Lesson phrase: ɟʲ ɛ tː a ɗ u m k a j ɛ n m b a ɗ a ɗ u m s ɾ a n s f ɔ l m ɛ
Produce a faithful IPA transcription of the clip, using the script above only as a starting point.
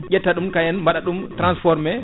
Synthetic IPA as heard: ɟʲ ɛ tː a ɗ u m k a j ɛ n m b a ɗ a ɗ u m t ɾ a n s f ɔ ɾ m ɛ